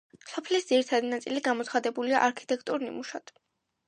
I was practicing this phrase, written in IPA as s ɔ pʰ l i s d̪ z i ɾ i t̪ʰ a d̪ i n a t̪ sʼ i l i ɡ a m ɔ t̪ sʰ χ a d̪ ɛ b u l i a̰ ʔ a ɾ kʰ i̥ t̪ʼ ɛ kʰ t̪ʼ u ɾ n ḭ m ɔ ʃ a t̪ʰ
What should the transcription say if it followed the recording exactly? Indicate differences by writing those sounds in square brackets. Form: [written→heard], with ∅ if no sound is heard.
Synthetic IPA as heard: s ɔ pʰ l i s d̪ z i ɾ i t̪ʰ a d̪ i n a t̪ sʼ i l i ɡ a m ɔ t̪ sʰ χ a d̪ ɛ b u l i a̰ ʔ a ɾ kʰ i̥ t̪ʼ ɛ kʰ t̪ʼ u ɾ n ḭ m [ɔ→u] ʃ a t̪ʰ